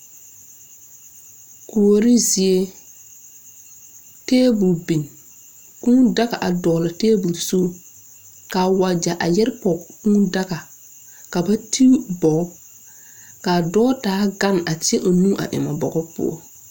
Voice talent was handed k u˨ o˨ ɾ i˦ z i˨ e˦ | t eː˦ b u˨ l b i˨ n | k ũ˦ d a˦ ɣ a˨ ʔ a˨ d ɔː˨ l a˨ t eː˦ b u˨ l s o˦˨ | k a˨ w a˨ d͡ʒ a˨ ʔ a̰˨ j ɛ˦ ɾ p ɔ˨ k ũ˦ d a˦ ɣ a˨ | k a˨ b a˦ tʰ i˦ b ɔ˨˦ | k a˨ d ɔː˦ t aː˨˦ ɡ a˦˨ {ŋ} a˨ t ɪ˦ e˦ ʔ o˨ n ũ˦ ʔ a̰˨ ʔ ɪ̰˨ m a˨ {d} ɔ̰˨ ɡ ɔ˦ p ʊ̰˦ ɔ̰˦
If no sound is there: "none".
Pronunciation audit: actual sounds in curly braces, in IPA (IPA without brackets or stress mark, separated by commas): n, b